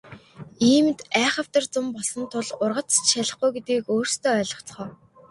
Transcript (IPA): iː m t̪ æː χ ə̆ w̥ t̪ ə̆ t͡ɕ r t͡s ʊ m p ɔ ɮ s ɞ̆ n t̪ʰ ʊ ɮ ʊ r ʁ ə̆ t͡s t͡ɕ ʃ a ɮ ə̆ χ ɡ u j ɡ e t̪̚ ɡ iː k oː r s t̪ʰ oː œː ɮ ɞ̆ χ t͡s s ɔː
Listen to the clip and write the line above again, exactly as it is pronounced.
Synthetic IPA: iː m t̪ æː χ ə̆ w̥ t̪ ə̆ r t͡s ʊ m p ɔ ɮ s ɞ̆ n t̪ʰ ʊ ɮ ʊ r ʁ ə̆ t͡s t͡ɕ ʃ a ɮ ə̆ χ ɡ u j ɡ e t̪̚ ɡ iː k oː r s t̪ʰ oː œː ɮ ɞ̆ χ t͡s χ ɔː